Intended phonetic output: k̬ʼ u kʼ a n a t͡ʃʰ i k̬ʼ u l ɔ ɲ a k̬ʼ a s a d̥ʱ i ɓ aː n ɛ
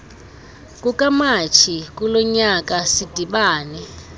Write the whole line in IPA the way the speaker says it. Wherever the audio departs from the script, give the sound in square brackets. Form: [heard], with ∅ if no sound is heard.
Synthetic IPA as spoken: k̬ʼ u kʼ a [m] a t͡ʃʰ i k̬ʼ u l ɔ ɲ a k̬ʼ a s [i] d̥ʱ i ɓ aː n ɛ